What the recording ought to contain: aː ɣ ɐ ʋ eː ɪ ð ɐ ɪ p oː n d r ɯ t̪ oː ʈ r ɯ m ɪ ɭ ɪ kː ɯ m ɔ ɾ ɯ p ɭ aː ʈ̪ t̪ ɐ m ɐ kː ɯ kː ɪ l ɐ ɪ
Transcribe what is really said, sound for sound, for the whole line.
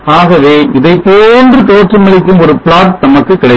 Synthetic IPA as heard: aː ɣ ɐ ʋ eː ɪ ð ɐ ɪ p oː n d r ɯ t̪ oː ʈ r ɯ m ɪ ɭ ɪ kː ɯ m ɔ ɾ ɯ p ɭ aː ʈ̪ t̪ ɐ m ɐ kː ɯ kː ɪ ɽ ɐ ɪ